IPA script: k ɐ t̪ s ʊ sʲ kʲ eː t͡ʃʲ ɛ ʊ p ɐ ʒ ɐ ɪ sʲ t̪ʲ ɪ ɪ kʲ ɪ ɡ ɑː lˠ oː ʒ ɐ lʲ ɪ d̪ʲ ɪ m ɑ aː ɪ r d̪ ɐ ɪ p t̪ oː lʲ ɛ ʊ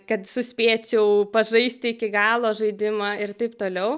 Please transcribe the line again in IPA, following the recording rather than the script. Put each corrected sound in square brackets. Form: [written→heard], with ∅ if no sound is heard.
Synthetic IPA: k ɐ t̪ s ʊ sʲ [kʲ→pʲ] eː t͡ʃʲ ɛ ʊ p ɐ ʒ ɐ ɪ sʲ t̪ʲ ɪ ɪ kʲ ɪ ɡ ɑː lˠ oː ʒ ɐ [lʲ→∅] ɪ d̪ʲ ɪ m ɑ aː ɪ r [d̪→t̪] ɐ ɪ p t̪ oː lʲ ɛ ʊ

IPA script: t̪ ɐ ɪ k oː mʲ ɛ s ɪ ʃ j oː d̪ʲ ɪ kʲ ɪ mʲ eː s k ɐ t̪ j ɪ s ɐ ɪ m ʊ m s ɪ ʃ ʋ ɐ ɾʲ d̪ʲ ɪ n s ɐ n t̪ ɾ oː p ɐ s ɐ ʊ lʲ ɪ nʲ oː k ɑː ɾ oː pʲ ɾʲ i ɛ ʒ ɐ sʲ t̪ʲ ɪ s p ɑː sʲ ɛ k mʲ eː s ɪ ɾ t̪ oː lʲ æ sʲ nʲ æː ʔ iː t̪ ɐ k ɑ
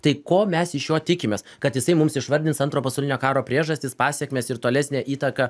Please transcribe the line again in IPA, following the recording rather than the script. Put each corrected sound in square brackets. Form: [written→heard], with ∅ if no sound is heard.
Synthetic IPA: t̪ ɐ ɪ k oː mʲ ɛ s ɪ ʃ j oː [d̪ʲ→t̪ʲ] ɪ kʲ ɪ mʲ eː s k ɐ t̪ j ɪ s ɐ ɪ m ʊ m s ɪ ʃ ʋ ɐ ɾʲ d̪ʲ ɪ n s ɐ n t̪ ɾ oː p ɐ s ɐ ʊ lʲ ɪ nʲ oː k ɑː ɾ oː pʲ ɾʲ i ɛ ʒ ɐ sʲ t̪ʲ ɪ s p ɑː sʲ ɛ k mʲ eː s ɪ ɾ t̪ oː lʲ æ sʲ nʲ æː ʔ iː t̪ ɐ k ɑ

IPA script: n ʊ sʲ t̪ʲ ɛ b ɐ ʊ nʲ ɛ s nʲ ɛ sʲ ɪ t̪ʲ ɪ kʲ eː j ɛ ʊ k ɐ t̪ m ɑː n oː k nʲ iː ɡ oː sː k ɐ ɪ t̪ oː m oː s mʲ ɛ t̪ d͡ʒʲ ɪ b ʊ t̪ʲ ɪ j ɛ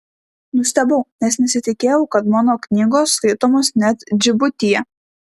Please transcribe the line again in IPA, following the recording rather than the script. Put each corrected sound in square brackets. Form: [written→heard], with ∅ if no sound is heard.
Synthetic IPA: n ʊ sʲ t̪ʲ ɛ b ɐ ʊ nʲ ɛ s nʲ ɛ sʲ ɪ t̪ʲ ɪ kʲ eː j ɛ ʊ k ɐ t̪ m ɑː n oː k nʲ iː ɡ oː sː k ɐ ɪ t̪ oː m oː s [mʲ→nʲ] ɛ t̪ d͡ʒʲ ɪ b ʊ t̪ʲ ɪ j ɛ

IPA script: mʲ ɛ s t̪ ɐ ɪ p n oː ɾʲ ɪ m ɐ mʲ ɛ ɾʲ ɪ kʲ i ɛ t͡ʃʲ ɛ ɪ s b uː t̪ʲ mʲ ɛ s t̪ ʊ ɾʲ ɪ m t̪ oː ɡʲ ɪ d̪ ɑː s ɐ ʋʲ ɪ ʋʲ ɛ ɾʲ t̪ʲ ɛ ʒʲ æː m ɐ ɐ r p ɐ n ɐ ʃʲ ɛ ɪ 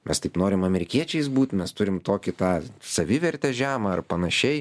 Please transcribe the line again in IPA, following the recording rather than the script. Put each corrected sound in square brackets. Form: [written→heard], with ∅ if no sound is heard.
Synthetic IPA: mʲ ɛ s t̪ ɐ ɪ p n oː ɾʲ ɪ m ɐ mʲ ɛ ɾʲ ɪ kʲ i ɛ t͡ʃʲ ɛ ɪ s b uː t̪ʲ mʲ ɛ s t̪ ʊ ɾʲ ɪ m t̪ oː [ɡʲ→kʲ] ɪ [d̪→t̪] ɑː s ɐ ʋʲ ɪ ʋʲ ɛ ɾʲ t̪ʲ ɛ ʒʲ æː m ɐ ɐ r p ɐ n ɐ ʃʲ ɛ ɪ

